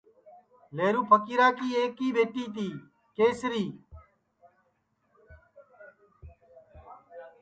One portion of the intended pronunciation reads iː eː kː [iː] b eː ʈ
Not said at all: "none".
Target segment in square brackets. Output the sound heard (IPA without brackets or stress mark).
iː